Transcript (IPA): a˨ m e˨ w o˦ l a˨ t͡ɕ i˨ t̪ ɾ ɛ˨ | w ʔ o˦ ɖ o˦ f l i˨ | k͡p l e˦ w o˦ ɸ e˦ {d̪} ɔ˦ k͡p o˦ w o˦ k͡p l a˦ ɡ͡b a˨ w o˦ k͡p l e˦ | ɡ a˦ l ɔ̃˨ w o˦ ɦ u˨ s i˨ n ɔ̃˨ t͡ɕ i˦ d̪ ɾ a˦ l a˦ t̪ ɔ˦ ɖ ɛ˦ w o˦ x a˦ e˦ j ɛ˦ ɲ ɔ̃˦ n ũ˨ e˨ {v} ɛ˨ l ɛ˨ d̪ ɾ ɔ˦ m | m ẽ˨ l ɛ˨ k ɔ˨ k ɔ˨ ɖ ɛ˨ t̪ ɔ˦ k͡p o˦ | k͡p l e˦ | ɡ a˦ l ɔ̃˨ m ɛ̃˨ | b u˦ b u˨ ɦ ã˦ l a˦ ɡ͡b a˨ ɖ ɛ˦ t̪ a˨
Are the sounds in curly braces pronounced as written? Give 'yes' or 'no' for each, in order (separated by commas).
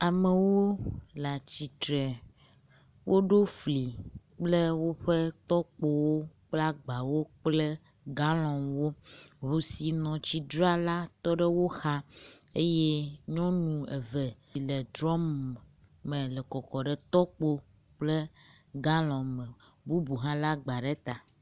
no, yes